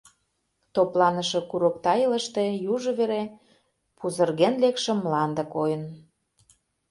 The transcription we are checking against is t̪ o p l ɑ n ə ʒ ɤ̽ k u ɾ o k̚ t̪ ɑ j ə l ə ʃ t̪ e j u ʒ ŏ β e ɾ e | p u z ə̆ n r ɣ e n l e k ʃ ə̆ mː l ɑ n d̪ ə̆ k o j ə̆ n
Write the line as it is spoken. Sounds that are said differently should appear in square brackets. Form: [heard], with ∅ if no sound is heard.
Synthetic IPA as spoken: t̪ o p l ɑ n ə [ʃ] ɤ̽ k u ɾ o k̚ t̪ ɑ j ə l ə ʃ t̪ e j u ʒ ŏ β e ɾ e | p u z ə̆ [∅] r ɣ e n l e k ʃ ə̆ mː l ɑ n d̪ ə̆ k o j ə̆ n